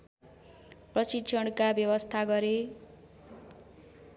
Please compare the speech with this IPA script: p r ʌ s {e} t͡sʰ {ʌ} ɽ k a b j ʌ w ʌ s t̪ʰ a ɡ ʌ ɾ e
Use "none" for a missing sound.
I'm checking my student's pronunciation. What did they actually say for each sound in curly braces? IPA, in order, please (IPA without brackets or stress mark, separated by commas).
i, ʌ